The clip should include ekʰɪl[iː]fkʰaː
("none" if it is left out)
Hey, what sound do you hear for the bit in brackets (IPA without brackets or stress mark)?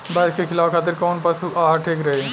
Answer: aː